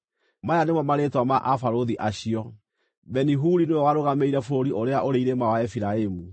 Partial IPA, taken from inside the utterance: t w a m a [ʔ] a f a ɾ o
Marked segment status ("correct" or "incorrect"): correct